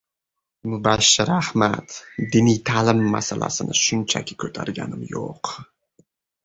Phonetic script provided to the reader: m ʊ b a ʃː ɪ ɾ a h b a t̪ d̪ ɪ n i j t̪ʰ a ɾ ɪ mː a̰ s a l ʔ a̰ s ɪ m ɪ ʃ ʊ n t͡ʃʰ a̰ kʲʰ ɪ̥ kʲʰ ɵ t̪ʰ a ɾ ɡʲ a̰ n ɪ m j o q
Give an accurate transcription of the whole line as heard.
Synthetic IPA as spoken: m ʊ b a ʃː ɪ ɾ a h m a t̪ d̪ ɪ n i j t̪ʰ a l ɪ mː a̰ s a l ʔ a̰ s ɪ n ɪ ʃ ʊ n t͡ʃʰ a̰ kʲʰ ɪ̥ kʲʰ ɵ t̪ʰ a ɾ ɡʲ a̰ n ɪ m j o q